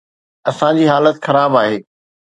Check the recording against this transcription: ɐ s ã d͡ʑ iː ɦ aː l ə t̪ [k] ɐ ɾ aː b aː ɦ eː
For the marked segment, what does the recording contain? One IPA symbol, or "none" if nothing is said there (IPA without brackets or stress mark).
x